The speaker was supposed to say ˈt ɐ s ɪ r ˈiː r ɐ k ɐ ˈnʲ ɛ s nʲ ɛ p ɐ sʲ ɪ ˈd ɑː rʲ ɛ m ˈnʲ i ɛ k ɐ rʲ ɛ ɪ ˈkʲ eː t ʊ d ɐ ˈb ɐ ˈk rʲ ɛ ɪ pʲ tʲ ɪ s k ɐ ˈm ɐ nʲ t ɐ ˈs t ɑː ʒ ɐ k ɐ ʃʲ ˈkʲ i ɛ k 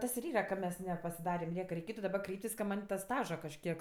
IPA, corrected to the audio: ˈt ɐ s ɪ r ˈiː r ɐ k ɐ ˈmʲ ɛ s nʲ ɛ p ɐ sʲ ɪ ˈd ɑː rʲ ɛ m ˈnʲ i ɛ k ɐ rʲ ɛ ɪ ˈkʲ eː t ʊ d ɐ ˈb ɐ ˈk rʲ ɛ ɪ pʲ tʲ ɪ s k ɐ ˈm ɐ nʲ t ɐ ˈs t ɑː ʒ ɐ k ɐ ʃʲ ˈkʲ i ɛ k